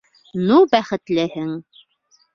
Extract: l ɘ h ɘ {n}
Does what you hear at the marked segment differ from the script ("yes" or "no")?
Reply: yes